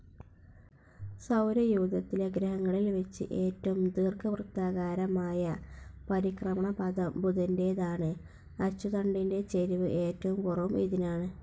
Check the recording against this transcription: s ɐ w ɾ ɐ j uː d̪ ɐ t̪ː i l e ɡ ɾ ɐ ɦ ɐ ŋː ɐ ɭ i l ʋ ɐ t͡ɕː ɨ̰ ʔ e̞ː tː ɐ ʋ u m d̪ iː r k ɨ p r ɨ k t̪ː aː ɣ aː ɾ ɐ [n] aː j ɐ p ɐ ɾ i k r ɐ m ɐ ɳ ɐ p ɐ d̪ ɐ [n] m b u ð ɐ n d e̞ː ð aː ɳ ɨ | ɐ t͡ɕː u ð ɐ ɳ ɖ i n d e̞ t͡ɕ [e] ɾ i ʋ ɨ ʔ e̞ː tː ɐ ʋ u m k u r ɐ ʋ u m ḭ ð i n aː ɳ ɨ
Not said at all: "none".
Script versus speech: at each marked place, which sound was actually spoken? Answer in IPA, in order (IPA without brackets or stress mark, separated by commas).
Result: m, none, e